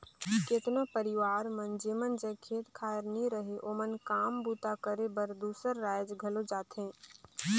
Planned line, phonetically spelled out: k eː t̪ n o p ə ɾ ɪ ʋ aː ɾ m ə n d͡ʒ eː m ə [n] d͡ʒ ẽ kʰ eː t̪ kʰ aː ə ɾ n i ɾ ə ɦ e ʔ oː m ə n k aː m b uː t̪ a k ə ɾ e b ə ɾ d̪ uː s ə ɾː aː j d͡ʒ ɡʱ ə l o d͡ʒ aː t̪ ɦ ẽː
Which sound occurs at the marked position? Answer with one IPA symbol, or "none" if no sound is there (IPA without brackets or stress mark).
n